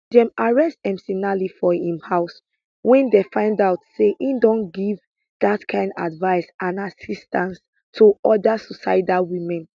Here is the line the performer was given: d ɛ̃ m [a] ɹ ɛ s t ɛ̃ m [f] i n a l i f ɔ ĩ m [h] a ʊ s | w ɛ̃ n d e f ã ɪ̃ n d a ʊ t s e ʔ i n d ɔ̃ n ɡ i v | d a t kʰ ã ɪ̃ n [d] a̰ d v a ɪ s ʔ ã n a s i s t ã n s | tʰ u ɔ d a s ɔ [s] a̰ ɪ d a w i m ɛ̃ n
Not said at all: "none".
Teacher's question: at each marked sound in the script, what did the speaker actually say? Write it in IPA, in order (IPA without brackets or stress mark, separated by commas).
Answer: a, s, h, d, s